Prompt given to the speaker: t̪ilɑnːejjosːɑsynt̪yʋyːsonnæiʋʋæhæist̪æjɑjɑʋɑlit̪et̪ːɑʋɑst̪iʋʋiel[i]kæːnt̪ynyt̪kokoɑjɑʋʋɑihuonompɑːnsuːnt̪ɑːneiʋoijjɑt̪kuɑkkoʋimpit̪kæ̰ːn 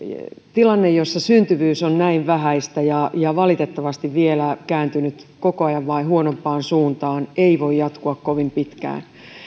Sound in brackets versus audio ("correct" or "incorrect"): incorrect